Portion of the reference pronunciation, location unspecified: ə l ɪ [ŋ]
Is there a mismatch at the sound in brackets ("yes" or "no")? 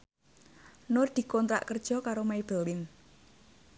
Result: yes